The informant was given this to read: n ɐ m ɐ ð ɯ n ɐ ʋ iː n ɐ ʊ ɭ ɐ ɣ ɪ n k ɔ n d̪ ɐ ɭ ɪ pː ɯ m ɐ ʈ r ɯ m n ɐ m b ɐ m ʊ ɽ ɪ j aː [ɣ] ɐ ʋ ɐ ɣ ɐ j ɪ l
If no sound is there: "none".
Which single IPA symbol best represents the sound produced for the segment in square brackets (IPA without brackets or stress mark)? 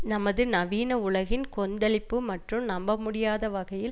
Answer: ð